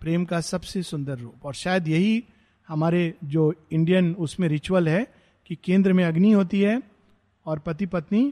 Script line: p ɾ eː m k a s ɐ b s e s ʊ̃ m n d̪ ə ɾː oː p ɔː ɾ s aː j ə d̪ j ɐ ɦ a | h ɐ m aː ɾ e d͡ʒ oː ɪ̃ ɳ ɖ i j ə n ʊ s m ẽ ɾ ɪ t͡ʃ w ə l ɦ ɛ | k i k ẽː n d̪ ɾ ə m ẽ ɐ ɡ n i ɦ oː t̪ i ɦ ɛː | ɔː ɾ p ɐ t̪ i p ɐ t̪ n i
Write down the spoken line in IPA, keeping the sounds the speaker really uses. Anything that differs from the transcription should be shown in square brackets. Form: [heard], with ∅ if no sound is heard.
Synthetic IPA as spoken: p ɾ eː m k a s ɐ b s e s ʊ̃ [∅] n d̪ ə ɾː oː p ɔː ɾ [ʃ] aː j ə d̪ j ɐ ɦ [i] | h ɐ m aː ɾ e d͡ʒ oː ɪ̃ ɳ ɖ i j ə n ʊ s m ẽ ɾ ɪ t͡ʃ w ə l ɦ ɛ | k i k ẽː n d̪ ɾ ə m ẽ ɐ ɡ n i ɦ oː t̪ i ɦ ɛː | ɔː ɾ p ɐ t̪ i p ɐ t̪ n i